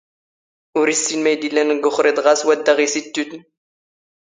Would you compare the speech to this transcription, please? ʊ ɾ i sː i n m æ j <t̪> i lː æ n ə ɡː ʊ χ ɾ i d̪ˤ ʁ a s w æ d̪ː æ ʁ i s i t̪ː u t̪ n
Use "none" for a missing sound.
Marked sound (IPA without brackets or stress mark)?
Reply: d̪